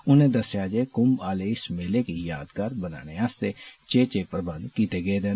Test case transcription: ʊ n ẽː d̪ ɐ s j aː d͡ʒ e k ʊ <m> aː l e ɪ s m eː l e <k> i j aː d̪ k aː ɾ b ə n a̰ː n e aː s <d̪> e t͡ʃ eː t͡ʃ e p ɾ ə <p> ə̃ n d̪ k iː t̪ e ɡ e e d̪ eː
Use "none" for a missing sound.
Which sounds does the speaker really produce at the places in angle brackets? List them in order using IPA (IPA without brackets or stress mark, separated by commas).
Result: m, k, t̪, b